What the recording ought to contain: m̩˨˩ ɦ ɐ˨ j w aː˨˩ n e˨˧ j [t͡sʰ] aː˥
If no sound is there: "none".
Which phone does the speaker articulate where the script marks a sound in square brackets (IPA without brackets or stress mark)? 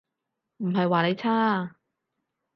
t͡sʰ